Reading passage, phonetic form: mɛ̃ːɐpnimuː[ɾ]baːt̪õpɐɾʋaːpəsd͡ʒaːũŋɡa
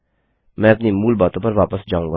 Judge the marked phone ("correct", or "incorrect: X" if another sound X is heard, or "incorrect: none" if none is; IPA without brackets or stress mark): incorrect: l